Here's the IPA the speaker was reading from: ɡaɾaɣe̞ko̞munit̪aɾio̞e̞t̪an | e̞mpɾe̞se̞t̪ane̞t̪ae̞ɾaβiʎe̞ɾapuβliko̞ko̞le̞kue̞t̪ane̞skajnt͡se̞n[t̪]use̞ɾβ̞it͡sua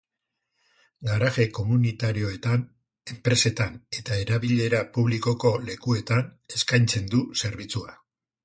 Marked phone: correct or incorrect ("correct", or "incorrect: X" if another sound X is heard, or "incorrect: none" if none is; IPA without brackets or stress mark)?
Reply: incorrect: d̪